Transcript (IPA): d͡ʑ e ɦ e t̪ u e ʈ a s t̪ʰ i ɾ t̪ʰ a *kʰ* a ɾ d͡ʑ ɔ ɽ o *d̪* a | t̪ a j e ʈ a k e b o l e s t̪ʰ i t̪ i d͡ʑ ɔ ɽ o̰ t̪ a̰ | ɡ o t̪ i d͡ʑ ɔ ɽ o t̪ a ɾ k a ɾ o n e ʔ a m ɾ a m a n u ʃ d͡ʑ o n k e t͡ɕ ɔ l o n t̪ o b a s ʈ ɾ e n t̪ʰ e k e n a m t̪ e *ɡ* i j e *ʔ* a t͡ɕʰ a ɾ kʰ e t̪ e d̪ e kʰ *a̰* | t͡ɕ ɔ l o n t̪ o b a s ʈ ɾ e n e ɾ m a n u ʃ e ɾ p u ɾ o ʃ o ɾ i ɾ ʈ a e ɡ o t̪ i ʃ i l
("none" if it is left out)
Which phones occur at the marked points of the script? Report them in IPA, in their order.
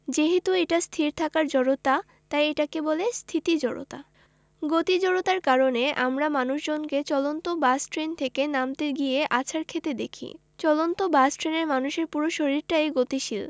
k, t̪, ɡ, ʔ, ḭ

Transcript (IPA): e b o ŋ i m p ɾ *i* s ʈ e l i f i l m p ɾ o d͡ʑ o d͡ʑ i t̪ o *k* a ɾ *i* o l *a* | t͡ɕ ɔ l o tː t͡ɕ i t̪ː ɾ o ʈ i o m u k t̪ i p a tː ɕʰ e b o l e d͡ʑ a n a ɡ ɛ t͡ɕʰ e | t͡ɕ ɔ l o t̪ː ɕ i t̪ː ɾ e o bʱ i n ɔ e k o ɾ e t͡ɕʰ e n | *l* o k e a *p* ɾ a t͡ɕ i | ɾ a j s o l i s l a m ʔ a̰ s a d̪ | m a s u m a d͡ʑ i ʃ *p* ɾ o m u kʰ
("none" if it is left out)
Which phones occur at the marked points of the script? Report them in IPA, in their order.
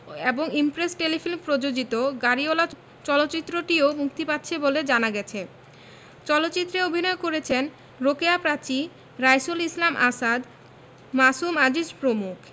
e, ɡ, i, a, ɾ, p, p

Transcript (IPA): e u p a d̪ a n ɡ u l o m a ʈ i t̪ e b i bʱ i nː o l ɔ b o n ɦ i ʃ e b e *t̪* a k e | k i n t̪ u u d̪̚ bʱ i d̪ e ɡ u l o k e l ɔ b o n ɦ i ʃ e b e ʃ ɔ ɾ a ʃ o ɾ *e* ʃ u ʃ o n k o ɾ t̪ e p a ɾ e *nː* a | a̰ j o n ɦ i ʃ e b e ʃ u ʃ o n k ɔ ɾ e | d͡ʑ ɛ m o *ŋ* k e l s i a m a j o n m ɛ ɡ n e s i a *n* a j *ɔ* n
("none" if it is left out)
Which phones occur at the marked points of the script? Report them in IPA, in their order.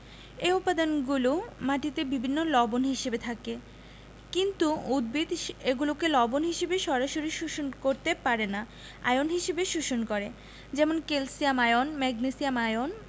t̪ʰ, i, n, n, m, o

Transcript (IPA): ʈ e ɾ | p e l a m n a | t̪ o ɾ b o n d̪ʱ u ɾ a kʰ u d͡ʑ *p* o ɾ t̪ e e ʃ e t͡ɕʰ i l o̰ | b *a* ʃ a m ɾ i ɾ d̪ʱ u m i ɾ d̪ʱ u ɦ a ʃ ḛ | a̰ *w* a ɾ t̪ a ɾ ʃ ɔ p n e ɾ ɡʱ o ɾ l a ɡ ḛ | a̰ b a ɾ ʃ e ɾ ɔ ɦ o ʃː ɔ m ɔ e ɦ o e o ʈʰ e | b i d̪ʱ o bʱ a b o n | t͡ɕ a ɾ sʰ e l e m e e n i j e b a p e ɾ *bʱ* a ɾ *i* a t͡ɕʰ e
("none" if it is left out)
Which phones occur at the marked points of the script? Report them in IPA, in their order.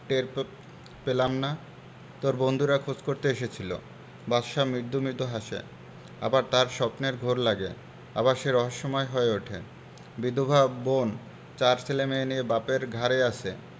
k, a, b, ɡʱ, e

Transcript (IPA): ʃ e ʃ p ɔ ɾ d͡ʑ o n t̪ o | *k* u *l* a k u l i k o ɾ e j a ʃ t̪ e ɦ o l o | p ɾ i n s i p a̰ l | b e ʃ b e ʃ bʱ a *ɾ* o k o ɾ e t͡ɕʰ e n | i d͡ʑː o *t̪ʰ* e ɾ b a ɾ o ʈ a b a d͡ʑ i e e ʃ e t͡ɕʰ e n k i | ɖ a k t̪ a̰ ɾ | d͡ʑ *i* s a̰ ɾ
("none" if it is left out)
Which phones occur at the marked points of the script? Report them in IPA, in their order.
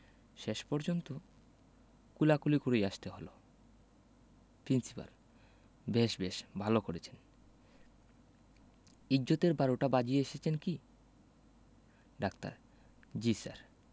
k, l, l, t̪, i

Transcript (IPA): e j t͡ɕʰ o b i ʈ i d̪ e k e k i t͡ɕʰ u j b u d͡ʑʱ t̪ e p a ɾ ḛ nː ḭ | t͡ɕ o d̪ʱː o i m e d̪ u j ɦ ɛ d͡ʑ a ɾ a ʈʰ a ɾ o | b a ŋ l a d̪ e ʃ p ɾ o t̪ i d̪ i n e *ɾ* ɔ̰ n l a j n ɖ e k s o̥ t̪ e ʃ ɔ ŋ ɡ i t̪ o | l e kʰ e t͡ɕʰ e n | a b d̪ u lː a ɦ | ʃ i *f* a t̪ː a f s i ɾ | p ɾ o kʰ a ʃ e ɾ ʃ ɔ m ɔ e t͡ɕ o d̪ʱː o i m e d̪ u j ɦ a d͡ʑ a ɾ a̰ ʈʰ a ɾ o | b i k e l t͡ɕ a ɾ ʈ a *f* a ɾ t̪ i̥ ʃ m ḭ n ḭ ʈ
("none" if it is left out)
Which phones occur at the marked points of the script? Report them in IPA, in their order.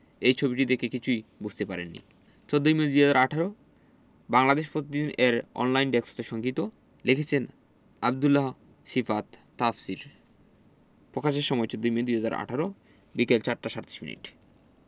ɾ, f, ʃ

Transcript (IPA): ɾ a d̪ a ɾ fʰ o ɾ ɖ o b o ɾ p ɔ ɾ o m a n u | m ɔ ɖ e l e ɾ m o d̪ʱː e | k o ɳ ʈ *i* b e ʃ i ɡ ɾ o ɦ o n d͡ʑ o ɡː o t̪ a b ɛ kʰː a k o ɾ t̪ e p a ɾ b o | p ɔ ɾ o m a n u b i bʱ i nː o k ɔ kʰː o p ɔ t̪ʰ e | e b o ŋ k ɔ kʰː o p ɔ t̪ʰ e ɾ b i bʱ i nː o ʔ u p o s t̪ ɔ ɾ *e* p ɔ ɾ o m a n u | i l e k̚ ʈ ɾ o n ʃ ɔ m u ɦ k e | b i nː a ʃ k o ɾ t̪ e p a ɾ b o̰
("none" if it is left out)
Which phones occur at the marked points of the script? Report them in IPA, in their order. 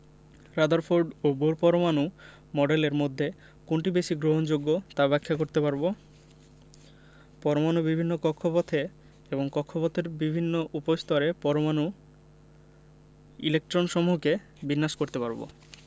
i, e

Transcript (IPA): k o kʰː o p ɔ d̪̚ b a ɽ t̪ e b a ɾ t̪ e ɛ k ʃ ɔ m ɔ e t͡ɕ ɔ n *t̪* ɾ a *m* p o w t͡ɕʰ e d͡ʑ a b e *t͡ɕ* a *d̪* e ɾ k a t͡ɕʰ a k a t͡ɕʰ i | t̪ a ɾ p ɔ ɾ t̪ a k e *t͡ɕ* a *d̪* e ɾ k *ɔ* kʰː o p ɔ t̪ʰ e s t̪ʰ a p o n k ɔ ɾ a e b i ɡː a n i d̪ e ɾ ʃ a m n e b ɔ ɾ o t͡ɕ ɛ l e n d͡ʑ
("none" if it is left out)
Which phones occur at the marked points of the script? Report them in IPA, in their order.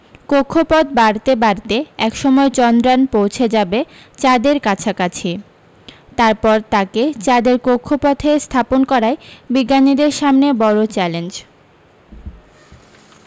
d̪, n, t͡ɕ, d̪, t͡ɕ, d̪, o

